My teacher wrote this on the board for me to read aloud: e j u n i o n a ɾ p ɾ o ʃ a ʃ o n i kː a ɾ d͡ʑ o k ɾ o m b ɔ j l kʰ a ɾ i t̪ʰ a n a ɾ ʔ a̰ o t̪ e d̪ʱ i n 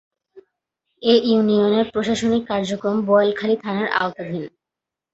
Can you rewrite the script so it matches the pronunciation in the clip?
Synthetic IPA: e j u n i o n e ɾ p ɾ o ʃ a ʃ o n i kː a ɾ d͡ʑ o k ɾ o m b ɔ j l kʰ a l i t̪ʰ a n a ɾ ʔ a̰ o t̪ a d̪ʱ i n